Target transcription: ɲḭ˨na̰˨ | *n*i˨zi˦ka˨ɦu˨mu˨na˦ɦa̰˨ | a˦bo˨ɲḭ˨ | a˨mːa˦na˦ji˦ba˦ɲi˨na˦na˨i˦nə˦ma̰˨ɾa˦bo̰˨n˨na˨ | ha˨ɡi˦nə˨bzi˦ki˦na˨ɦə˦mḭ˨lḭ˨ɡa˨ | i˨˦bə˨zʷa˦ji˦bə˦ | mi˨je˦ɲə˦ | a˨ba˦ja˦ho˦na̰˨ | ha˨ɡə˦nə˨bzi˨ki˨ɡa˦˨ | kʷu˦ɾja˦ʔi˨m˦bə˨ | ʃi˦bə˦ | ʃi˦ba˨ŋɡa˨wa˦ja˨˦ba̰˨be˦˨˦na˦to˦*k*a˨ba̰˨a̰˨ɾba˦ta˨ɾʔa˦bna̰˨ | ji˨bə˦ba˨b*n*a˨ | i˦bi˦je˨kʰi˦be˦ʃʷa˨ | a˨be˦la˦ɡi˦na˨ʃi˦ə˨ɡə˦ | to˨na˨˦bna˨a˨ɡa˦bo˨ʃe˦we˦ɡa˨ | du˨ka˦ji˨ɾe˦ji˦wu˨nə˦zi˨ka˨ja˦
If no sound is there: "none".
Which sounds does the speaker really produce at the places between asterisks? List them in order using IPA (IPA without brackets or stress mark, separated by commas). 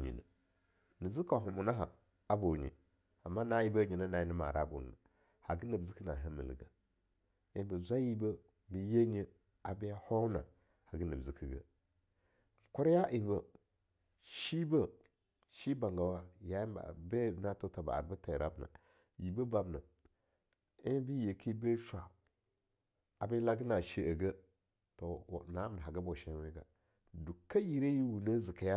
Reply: n, t, n